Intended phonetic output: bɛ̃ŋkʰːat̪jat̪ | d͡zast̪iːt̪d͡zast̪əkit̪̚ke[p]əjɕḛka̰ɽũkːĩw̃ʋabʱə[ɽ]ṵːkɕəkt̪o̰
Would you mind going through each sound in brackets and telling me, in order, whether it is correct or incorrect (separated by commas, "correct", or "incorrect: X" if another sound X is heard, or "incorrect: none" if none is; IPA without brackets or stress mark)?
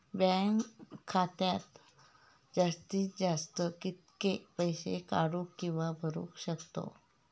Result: correct, incorrect: ɾ